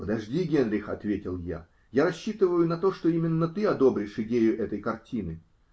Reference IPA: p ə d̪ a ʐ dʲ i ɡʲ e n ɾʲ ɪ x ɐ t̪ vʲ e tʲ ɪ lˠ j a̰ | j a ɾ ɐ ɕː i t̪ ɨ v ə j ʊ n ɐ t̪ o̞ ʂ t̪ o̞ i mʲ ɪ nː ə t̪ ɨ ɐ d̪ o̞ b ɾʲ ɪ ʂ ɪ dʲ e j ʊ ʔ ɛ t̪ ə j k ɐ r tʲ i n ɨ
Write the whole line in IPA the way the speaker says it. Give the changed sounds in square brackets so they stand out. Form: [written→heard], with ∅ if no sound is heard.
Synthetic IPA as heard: p ə d̪ [a→ɐ] ʐ dʲ i ɡʲ e n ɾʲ ɪ x ɐ t̪ vʲ e tʲ ɪ lˠ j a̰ | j a ɾ ɐ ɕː i t̪ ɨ v ə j ʊ n ɐ t̪ o̞ ʂ t̪ o̞ i mʲ ɪ nː ə t̪ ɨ ɐ d̪ o̞ b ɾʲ ɪ ʂ ɪ dʲ e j ʊ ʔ ɛ t̪ ə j k ɐ r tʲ i n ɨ